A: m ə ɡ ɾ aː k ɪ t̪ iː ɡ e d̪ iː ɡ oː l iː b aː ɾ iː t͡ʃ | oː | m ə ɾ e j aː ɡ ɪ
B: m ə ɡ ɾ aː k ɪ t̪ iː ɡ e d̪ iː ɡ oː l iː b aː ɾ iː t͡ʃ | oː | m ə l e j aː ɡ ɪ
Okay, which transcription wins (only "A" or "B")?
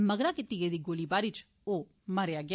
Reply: A